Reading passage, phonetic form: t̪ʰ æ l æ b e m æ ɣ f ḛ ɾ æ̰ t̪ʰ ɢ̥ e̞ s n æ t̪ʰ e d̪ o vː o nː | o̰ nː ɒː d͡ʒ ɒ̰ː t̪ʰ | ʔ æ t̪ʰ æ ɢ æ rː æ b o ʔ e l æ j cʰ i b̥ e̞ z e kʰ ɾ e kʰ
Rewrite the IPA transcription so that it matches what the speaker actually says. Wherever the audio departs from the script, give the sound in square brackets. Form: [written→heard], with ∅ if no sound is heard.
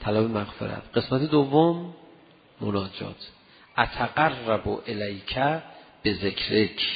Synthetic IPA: t̪ʰ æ l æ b e m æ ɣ f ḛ ɾ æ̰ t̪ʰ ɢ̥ e̞ s [n→m] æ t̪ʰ e d̪ o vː o [nː→mː] | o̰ [nː→n] ɒː d͡ʒ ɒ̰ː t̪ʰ | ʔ æ t̪ʰ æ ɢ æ rː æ b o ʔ e l æ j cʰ [i→æ] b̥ e̞ z e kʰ ɾ e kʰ